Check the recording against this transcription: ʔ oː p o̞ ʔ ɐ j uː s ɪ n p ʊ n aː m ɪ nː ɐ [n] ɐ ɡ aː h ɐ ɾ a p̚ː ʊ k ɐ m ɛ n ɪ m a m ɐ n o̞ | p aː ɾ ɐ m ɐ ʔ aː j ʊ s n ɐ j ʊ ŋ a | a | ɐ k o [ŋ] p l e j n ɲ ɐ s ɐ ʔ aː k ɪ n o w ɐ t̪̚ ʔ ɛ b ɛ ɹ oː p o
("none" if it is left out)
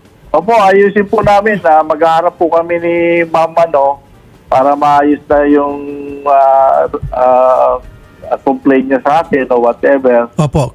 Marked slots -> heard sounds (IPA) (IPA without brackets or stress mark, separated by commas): m, m